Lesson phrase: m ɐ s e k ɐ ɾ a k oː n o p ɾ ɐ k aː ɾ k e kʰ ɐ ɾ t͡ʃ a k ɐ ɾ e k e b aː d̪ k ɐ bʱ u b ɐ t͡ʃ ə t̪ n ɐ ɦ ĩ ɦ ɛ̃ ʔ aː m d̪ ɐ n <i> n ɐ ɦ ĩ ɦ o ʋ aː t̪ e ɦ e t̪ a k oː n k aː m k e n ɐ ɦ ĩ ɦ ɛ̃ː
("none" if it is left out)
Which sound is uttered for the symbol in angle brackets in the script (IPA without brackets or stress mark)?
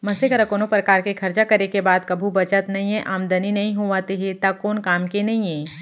i